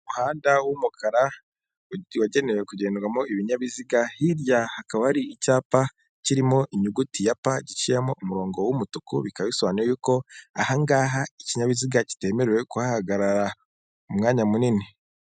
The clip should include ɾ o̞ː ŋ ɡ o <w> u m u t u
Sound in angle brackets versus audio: correct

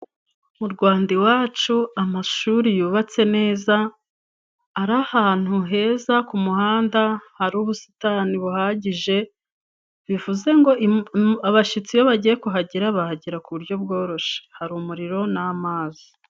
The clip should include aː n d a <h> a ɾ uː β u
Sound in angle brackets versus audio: correct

